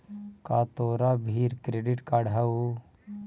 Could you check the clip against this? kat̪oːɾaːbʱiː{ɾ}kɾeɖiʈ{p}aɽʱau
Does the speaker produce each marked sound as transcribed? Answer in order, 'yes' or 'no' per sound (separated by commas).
yes, no